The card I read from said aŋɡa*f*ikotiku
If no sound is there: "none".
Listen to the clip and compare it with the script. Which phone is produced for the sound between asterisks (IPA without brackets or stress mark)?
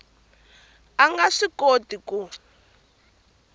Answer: ʂ